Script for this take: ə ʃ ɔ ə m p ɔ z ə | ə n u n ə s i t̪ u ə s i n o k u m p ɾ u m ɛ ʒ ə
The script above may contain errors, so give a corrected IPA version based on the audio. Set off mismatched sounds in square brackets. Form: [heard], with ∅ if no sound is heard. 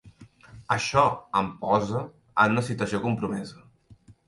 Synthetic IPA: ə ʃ ɔ ə m p ɔ z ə | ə n u n ə s i t̪ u ə s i [∅] o k u m p ɾ u m ɛ [z] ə